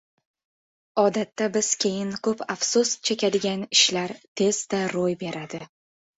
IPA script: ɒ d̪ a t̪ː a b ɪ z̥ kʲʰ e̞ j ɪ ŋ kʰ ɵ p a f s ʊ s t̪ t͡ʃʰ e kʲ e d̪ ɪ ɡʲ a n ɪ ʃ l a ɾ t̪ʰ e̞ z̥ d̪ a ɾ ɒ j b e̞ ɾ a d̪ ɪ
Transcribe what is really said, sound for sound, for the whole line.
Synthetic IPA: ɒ d̪ a t̪ː a b ɪ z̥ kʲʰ e̞ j ɪ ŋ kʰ ɵ p a f s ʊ s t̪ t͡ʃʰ e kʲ a d̪ ɪ ɡʲ a n ɪ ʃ l a ɾ t̪ʰ e̞ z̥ d̪ a ɾ o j b e̞ ɾ a d̪ ɪ